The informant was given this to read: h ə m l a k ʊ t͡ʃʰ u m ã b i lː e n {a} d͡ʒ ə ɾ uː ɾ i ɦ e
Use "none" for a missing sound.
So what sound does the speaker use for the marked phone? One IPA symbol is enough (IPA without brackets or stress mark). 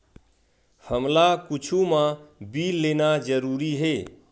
a